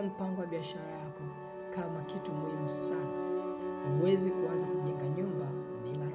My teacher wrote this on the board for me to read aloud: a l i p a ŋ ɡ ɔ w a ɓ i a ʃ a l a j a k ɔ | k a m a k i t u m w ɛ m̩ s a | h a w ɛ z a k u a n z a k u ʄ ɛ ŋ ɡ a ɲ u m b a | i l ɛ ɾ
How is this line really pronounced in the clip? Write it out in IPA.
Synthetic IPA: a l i p a ŋ ɡ ɔ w a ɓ i a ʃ a ɾ a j a k ɔ | k a m a k i t u m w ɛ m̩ s a | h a w ɛ z i k u a n z a k u ʄ ɛ ŋ ɡ a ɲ u m b a | i l a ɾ